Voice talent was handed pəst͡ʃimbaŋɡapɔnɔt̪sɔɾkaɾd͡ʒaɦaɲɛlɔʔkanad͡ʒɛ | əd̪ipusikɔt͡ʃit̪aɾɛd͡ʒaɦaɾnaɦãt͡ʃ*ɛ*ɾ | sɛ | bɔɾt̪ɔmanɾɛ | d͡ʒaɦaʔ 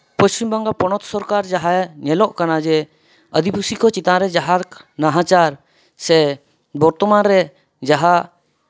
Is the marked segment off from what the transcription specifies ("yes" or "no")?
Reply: yes